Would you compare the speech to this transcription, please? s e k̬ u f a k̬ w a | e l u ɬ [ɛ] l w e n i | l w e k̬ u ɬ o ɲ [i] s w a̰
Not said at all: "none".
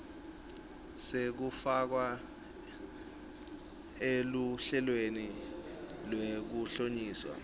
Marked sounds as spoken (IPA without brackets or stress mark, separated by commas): ɛ, iː